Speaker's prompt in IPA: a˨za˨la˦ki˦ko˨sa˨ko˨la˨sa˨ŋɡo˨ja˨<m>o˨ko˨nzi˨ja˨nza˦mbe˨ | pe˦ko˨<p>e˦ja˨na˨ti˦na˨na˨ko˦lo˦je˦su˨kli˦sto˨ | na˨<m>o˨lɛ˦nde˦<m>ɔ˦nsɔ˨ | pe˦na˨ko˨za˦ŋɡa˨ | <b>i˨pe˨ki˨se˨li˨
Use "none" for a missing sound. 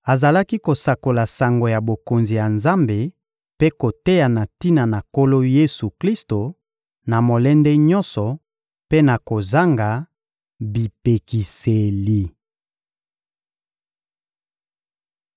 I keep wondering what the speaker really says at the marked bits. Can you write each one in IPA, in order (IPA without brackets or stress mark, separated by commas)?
b, t, m, ɲ, b